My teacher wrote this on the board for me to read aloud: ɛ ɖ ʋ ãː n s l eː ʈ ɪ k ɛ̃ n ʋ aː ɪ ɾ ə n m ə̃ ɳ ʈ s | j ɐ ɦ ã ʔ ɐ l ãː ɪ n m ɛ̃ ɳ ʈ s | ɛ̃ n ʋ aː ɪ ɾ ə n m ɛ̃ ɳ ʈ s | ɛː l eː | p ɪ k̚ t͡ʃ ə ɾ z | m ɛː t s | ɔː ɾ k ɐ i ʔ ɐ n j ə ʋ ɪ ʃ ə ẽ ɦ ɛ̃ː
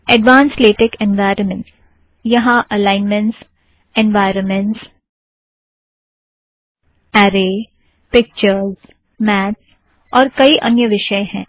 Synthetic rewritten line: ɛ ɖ ʋ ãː n s l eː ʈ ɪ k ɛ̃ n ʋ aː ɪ ɾ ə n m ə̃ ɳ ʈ s | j ɐ ɦ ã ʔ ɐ l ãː ɪ n m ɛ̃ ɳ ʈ s | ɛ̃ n ʋ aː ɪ ɾ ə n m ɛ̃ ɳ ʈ s | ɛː ɾ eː | p ɪ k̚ t͡ʃ ə ɾ z | m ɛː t s | ɔː ɾ k ɐ i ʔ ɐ n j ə ʋ ɪ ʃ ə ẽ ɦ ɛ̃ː